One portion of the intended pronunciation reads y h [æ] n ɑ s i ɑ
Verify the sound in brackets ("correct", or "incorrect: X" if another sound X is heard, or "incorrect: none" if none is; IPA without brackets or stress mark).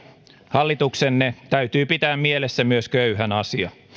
correct